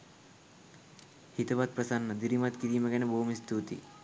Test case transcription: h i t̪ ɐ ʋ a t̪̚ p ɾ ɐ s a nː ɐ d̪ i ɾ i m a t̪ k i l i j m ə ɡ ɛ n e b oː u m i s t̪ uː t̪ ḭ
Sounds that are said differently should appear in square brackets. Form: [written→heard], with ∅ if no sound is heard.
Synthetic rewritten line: h i t̪ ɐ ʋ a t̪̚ p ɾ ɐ s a nː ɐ d̪ i ɾ i m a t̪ k i [l→ɾ] i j m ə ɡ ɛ n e b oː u m i s t̪ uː t̪ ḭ